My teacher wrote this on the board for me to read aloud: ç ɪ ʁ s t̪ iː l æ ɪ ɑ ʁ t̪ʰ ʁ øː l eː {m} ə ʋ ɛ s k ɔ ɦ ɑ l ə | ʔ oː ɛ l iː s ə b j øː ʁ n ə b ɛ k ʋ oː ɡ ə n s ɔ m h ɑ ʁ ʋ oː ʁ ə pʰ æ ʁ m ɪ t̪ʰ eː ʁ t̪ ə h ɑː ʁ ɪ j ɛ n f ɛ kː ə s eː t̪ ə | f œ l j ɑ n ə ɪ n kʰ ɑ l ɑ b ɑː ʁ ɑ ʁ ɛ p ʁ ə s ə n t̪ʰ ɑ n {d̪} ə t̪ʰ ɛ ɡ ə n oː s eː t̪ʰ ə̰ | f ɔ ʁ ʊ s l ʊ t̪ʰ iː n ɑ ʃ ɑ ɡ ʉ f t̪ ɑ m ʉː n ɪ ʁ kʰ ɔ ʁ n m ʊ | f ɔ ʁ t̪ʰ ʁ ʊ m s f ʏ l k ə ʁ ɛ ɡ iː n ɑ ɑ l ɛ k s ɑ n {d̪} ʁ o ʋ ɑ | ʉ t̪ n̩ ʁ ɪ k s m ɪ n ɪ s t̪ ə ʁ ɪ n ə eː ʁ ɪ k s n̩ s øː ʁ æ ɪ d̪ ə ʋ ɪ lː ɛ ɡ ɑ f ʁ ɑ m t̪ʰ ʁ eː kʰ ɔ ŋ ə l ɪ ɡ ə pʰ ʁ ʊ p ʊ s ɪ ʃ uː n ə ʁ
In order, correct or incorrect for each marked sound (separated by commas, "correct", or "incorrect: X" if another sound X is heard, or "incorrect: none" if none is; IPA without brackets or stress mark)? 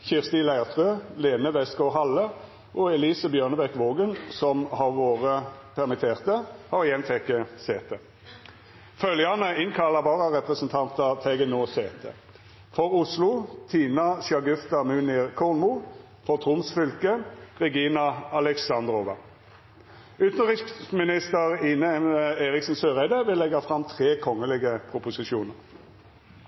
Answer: incorrect: n, incorrect: t̪, correct